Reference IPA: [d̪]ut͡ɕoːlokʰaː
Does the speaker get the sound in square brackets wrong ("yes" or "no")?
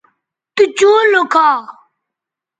yes